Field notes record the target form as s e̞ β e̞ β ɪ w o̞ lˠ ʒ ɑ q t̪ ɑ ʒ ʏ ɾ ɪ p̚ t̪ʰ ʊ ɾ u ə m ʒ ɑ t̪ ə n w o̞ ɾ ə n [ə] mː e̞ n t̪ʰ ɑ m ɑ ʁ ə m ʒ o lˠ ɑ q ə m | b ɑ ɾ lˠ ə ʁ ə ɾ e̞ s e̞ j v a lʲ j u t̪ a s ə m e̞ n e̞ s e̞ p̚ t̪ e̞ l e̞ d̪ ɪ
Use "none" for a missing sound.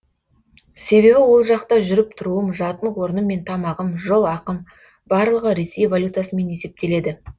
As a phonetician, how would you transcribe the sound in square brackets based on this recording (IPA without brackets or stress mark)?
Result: ə